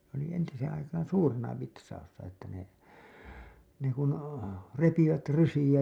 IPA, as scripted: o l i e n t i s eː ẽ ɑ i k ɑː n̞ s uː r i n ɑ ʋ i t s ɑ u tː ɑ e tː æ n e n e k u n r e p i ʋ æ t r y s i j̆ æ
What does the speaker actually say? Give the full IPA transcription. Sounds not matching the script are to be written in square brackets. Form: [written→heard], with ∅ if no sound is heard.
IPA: o l i e n t i s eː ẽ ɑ i k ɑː n̞ s uː r [i→e] n ɑ ʋ i t s ɑ u [tː→sː] ɑ e tː æ n e n e k u n r e p i ʋ æ t r y s i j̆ æ